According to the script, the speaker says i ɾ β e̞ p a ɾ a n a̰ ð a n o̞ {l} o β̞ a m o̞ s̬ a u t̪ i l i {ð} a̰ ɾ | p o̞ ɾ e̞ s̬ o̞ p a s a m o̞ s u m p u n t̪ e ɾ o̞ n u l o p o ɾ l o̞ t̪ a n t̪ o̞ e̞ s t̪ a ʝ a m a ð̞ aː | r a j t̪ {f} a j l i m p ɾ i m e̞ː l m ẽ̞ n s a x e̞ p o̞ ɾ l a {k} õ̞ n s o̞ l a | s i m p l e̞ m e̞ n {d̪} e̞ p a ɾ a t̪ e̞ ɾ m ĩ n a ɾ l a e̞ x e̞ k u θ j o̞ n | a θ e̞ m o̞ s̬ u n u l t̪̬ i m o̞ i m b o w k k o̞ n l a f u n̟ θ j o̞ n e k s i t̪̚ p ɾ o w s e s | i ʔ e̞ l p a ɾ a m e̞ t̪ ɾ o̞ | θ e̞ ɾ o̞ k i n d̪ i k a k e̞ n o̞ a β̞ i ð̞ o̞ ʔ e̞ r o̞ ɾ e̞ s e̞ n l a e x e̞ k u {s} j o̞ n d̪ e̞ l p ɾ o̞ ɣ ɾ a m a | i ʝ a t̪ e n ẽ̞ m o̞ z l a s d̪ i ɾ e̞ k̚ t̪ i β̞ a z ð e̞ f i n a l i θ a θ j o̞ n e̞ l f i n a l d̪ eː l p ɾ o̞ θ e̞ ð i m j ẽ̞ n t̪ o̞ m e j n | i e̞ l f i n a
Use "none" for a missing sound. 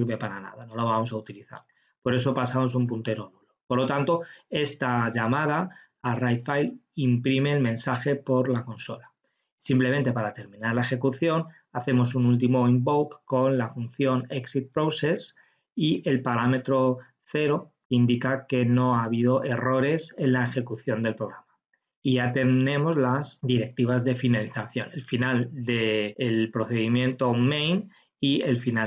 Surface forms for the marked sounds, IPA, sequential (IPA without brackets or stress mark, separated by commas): l, θ, f, k, t̪, θ